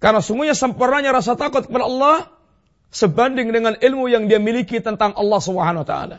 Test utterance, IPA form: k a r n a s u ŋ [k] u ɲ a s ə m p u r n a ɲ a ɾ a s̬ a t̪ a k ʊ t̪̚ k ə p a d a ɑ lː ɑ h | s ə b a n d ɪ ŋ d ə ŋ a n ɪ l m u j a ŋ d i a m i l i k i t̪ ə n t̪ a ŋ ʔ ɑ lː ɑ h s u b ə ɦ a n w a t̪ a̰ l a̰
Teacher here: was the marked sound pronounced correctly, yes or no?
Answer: no